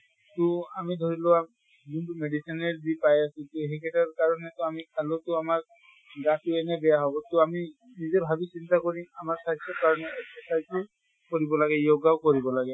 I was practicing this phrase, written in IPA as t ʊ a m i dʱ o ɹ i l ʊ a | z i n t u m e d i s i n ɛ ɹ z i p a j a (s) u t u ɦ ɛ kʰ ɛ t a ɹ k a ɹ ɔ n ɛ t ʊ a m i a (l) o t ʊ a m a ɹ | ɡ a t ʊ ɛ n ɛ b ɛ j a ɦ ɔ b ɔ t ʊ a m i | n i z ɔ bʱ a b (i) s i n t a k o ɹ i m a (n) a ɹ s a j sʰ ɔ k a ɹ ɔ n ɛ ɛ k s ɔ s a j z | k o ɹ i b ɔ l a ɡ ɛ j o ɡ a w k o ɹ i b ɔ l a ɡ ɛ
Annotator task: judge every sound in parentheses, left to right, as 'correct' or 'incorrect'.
correct, correct, correct, incorrect: m

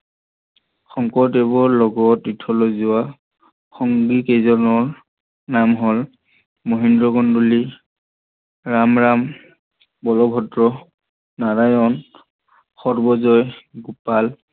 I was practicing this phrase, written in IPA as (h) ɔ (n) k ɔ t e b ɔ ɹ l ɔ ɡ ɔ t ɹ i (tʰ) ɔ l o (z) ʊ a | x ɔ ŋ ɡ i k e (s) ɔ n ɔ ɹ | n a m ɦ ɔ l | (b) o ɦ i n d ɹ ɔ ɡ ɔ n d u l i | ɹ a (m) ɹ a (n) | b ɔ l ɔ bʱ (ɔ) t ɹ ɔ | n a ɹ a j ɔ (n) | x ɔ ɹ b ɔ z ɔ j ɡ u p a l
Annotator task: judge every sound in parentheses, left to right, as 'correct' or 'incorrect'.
incorrect: x, incorrect: ŋ, correct, correct, incorrect: z, incorrect: m, correct, incorrect: m, correct, correct

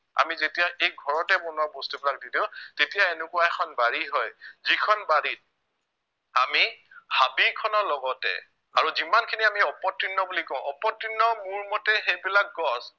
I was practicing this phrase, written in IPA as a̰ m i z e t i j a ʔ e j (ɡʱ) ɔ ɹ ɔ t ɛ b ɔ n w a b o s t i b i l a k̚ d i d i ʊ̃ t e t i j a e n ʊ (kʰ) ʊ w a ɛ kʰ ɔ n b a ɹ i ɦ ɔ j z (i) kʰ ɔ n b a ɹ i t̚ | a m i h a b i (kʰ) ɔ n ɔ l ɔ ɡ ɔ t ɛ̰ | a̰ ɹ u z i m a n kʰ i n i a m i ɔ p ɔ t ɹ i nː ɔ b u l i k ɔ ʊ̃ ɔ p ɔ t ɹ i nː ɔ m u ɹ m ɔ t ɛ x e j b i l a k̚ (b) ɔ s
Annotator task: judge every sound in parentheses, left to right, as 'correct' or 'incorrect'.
correct, incorrect: k, correct, correct, incorrect: ɡ

